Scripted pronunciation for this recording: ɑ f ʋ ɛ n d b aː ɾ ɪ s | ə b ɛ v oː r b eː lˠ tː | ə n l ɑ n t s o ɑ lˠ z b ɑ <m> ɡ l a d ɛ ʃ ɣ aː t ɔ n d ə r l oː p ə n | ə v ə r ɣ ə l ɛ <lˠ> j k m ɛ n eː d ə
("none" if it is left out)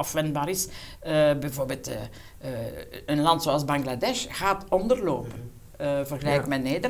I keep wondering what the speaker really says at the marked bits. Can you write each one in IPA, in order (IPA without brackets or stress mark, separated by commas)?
ŋ, none